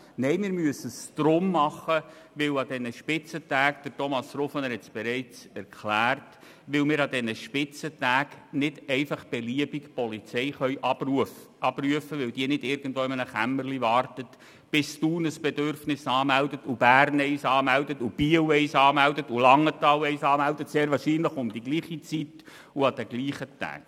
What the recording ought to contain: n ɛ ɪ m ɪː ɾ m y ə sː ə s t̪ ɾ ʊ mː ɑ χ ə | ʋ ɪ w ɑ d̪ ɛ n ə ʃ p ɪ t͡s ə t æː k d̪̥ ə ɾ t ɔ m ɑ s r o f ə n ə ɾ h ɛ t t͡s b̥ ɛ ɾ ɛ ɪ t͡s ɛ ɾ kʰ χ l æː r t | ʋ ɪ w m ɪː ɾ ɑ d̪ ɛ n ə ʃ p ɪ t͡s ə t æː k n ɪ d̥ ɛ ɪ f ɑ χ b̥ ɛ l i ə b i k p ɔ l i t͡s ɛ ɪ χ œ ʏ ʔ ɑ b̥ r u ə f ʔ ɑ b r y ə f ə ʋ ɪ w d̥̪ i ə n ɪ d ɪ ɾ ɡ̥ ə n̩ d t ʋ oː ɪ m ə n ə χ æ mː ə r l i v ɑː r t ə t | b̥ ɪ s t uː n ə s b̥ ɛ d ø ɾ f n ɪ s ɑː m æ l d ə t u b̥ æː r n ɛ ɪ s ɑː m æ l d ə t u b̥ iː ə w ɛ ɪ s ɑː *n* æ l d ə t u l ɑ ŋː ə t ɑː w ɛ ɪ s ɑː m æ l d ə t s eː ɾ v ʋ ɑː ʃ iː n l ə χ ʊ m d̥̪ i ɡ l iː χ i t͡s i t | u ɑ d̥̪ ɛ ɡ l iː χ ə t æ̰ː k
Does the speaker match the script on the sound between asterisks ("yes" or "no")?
no